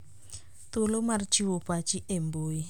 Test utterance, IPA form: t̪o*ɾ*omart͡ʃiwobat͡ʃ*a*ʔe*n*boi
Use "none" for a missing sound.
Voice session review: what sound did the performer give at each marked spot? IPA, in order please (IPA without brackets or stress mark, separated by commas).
l, i, m